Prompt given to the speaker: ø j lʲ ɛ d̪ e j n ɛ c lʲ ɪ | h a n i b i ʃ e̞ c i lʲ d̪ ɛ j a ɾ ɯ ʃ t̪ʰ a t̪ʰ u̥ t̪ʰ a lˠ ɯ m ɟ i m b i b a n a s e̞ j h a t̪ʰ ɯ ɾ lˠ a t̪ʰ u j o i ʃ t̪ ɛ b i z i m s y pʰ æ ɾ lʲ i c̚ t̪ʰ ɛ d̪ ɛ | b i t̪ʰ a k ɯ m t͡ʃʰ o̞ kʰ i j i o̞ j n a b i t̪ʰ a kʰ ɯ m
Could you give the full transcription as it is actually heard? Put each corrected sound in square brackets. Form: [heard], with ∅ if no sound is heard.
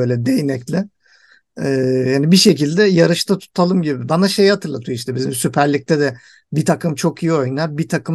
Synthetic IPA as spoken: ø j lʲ ɛ d̪ e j n ɛ c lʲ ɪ | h a n i b i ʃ e̞ c i lʲ d̪ ɛ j a ɾ ɯ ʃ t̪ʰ a t̪ʰ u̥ t̪ʰ a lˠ ɯ m ɟ i [∅] b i b a n a [ʃ] e̞ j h a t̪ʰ ɯ ɾ lˠ a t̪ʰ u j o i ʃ t̪ ɛ b i z i m s y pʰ æ ɾ lʲ i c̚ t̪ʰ ɛ d̪ ɛ | b i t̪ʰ a k ɯ m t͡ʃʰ o̞ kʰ i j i o̞ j n a b i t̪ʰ a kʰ ɯ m